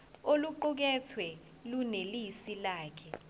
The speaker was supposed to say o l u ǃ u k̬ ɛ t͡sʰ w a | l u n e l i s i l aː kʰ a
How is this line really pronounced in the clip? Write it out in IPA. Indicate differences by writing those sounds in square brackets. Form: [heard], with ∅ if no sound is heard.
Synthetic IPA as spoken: o l u ǃ u k̬ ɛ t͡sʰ w [ɛ] | l u n e l i s i l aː kʰ [ɛ]